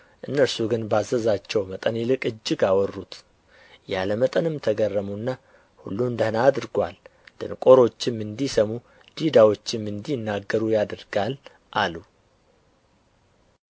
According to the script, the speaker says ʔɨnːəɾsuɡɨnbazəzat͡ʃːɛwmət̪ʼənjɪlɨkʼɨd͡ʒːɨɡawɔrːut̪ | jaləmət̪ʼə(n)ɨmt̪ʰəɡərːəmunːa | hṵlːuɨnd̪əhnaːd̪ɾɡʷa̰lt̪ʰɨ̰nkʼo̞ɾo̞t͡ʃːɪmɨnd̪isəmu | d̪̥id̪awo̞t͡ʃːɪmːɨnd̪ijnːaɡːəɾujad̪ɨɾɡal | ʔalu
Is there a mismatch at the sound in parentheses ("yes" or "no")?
no